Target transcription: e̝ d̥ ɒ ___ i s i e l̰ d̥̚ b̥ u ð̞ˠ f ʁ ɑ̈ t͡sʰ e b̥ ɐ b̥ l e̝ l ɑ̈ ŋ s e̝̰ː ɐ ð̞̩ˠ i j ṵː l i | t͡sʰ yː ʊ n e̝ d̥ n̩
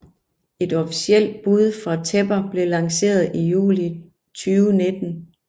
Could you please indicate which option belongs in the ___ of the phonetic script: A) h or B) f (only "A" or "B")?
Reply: B